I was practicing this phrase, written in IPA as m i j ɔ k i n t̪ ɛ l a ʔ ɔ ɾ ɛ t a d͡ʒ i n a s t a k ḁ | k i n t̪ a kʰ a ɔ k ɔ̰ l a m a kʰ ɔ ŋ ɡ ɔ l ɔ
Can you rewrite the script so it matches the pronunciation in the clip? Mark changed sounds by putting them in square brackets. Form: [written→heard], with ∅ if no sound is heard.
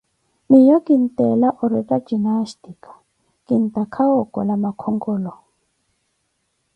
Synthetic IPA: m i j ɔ k i n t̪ ɛ l a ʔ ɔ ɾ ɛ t a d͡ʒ i n a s t [a→i] k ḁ | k i n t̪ a kʰ a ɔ k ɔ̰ l a m a kʰ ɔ ŋ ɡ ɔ l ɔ